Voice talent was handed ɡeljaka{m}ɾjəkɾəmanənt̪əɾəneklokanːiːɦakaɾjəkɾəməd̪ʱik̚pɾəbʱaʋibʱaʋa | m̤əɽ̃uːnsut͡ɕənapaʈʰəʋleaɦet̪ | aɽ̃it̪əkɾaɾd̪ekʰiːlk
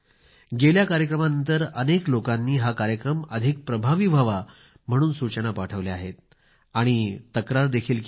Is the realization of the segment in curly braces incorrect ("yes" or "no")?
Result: yes